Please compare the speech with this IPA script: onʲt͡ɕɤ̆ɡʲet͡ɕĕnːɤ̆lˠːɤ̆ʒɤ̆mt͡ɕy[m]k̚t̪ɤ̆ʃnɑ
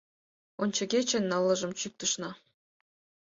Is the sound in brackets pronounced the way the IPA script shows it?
no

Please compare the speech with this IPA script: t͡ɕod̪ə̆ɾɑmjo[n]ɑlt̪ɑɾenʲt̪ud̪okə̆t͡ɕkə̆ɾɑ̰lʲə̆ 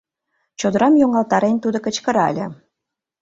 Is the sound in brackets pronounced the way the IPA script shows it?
no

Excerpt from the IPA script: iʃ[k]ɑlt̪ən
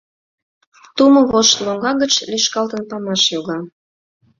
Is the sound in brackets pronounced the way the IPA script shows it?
yes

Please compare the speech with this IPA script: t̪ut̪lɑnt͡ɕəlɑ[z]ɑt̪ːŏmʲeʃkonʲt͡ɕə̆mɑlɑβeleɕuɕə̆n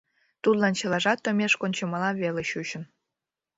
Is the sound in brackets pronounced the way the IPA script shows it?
no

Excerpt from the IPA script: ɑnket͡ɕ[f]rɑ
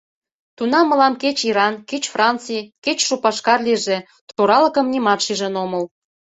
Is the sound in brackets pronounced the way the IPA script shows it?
yes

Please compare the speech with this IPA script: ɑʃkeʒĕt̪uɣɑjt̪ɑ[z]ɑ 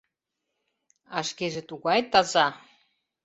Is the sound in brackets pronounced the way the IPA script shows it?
yes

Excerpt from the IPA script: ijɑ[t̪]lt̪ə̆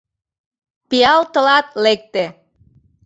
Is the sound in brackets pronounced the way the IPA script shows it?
no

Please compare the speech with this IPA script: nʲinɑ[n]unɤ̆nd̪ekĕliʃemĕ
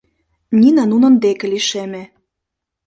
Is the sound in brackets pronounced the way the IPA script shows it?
yes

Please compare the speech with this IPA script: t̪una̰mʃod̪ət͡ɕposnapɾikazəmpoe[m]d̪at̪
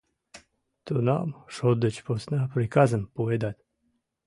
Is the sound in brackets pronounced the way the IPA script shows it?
no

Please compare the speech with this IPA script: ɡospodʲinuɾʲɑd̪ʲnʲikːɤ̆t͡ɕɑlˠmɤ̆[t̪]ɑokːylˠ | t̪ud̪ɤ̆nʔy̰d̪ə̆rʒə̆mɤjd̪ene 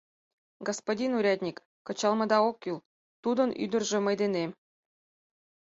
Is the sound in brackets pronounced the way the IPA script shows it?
no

